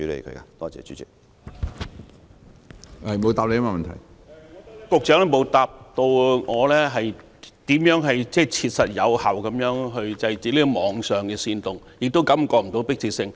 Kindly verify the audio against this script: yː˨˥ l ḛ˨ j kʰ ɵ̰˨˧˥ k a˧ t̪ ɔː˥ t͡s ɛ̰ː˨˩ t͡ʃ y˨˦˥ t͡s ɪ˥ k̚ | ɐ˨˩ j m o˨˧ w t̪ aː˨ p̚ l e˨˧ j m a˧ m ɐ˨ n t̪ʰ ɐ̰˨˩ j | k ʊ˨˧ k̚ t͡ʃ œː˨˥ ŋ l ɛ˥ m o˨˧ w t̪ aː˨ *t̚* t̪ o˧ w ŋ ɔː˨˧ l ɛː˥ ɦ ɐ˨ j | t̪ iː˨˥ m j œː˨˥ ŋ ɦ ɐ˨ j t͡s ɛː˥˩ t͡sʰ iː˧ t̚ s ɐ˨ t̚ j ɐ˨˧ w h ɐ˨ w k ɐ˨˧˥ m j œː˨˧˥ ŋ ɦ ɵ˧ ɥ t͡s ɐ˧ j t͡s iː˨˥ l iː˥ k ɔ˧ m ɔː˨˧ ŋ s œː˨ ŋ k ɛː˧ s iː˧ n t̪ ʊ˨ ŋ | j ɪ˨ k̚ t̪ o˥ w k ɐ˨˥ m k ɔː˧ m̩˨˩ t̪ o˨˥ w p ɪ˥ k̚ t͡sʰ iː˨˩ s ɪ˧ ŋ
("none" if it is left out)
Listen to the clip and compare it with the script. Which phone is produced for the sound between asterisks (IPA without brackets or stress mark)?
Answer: p̚